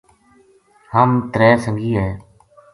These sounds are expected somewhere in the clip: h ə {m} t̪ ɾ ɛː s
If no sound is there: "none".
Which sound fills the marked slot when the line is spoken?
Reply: m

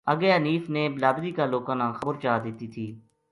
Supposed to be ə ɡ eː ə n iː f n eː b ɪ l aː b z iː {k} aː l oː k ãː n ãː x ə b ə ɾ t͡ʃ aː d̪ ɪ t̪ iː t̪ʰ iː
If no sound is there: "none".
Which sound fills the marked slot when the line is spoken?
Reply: k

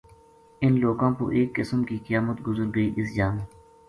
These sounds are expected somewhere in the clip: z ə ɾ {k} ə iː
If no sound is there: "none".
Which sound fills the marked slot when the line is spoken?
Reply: ɡ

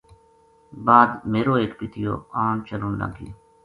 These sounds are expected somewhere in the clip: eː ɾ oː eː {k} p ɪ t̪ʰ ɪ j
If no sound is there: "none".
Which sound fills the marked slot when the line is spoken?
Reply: k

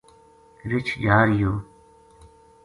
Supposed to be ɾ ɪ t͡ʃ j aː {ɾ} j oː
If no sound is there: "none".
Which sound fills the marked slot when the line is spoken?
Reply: ɾ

